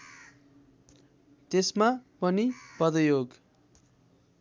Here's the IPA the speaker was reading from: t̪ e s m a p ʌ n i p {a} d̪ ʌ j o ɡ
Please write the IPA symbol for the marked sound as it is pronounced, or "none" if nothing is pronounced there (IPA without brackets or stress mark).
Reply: ʌ